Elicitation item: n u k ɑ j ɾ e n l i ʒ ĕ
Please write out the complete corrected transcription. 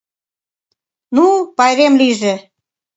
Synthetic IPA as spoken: n u p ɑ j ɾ e m l i ʒ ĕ